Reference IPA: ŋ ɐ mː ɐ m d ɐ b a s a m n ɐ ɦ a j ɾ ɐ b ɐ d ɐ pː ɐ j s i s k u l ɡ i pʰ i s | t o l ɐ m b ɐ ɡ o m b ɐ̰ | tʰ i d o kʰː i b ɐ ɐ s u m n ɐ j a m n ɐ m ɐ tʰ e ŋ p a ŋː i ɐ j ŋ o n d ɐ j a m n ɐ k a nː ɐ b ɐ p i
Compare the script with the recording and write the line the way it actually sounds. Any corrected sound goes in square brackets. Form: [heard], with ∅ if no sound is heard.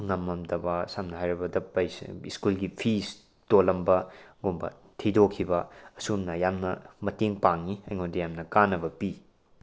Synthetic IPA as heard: ŋ ɐ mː ɐ m d ɐ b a s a m n ɐ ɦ a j ɾ ɐ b ɐ d ɐ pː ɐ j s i s k u l ɡ i pʰ i s | t o l ɐ m b ɐ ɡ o m b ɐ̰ | tʰ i d o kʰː i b ɐ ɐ s u m n ɐ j a m n ɐ m ɐ [t] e ŋ p a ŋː i ɐ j ŋ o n d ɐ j a m n ɐ k a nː ɐ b ɐ p i

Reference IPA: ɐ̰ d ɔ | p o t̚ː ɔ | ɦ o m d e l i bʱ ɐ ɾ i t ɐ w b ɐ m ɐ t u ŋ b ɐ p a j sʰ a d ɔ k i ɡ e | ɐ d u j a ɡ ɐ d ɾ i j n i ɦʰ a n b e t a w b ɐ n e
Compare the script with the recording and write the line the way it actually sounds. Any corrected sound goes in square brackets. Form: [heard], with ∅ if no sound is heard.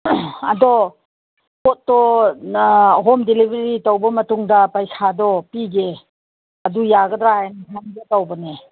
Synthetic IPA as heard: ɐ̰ d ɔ | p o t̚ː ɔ | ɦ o m d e l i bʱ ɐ ɾ i t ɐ w b ɐ m ɐ t u ŋ [d] ɐ p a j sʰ a d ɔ [p] i ɡ e | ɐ d u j a ɡ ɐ d ɾ [a] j n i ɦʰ a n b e t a w b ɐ n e

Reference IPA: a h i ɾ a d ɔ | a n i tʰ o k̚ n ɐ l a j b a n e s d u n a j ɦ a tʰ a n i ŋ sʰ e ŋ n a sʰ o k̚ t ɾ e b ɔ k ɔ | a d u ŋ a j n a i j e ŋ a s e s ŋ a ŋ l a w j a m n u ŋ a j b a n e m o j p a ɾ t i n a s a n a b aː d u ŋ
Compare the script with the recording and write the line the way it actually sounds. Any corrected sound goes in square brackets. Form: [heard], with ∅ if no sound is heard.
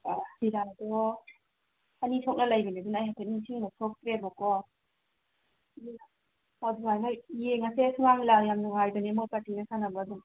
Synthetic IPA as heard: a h i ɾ a d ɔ | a n i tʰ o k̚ n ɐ l a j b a n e [∅] d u n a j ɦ a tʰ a n i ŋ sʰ [i] ŋ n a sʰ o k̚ t ɾ e b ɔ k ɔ | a d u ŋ a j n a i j e ŋ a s e s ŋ a ŋ l a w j a m n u ŋ a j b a n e m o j p a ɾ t i n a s a n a b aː d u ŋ

